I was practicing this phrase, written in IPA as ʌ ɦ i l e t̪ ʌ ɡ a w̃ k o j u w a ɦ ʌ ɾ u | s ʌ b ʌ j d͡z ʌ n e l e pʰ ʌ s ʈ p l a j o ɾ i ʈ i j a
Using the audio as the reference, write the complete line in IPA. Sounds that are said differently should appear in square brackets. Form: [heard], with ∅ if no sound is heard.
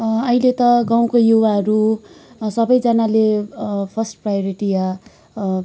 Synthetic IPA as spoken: ʌ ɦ i l e t̪ ʌ ɡ a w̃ k o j u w a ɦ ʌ ɾ u | s ʌ b ʌ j d͡z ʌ n [a] l e pʰ ʌ s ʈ p [r] a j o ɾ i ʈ i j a

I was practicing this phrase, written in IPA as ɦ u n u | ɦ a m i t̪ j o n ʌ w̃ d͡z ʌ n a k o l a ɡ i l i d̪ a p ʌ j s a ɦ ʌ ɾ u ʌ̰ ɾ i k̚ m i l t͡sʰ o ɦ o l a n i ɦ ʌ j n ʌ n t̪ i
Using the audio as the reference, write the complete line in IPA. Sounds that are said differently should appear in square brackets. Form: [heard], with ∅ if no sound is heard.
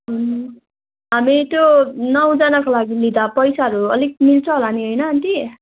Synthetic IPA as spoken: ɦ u n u | ɦ a m i t̪ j o n ʌ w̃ d͡z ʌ n a k o l a ɡ i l i d̪ a p ʌ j s a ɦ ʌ ɾ u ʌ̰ [l] i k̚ m i l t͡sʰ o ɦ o l a n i ɦ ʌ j n ʌ n t̪ i

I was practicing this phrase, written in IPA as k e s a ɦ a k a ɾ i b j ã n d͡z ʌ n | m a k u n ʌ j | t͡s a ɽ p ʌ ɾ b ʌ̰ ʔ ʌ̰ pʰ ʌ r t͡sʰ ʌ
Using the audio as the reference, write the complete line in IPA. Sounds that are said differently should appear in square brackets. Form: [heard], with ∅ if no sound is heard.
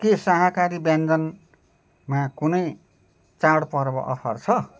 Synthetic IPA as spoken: k e s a ɦ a k a ɾ i b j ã n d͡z ʌ n | m a k u n ʌ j | t͡s a ɽ p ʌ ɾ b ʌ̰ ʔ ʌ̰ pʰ ʌ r t͡sʰ ʌ

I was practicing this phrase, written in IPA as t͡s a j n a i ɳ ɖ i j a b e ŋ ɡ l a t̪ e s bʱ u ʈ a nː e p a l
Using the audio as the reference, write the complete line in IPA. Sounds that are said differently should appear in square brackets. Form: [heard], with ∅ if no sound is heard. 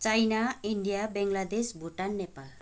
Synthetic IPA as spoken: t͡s a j n a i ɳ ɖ i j a b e ŋ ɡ l a [d̪] e s bʱ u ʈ a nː e p a l

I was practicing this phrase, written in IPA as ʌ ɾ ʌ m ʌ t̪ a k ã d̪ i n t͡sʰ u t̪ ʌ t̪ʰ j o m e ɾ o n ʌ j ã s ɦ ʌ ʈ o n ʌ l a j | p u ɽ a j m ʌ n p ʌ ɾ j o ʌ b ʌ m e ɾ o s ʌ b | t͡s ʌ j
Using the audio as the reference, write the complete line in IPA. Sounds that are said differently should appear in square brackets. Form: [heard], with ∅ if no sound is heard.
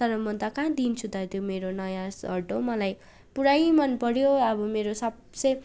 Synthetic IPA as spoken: ʌ ɾ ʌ m ʌ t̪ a k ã d̪ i n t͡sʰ u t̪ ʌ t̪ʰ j o m e ɾ o n ʌ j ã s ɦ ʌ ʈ o [m] ʌ l a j | p u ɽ a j m ʌ n p ʌ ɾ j o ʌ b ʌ m e ɾ o s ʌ b | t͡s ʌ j

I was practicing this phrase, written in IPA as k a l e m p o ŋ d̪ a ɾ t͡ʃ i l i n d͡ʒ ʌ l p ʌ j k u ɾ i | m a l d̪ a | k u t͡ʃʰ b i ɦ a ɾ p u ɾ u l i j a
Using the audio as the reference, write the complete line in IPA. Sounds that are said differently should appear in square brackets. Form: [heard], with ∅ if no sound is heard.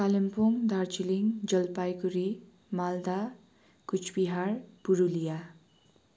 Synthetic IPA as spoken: k a l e m p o ŋ d̪ a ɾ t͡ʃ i l i [ŋ] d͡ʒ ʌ l p [a] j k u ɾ i | m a l d̪ a | k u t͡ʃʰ b i ɦ a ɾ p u ɾ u l i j a

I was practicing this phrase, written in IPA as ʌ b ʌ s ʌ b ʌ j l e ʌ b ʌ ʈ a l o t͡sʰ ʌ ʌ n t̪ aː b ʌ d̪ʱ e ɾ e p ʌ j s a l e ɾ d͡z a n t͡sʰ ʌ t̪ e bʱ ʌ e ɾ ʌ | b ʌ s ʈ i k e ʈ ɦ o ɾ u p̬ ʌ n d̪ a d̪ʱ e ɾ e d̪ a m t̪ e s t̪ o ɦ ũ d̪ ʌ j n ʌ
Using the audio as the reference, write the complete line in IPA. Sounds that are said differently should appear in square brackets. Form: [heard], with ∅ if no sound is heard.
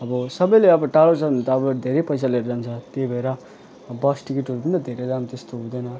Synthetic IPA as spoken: ʌ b ʌ s ʌ b ʌ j l e ʌ b ʌ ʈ a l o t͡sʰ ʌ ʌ n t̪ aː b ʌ d̪ʱ e ɾ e p ʌ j s a l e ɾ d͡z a n t͡sʰ ʌ t̪ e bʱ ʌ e ɾ ʌ | b ʌ s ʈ i k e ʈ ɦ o ɾ u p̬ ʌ n d̪ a d̪ʱ e ɾ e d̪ a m t̪ e s t̪ o ɦ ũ d̪ ʌ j n ʌ

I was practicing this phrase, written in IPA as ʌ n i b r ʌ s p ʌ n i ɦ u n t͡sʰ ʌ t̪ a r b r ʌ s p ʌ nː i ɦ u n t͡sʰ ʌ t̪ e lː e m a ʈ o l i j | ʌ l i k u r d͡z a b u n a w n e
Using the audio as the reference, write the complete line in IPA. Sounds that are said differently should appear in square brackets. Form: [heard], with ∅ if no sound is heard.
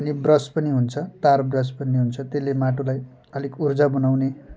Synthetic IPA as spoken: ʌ n i b r ʌ s p ʌ n i ɦ u n t͡sʰ ʌ t̪ a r b r ʌ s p ʌ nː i ɦ u n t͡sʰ ʌ t̪ e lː e m a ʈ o l [a] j | ʌ l i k u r d͡z a b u n a w n e

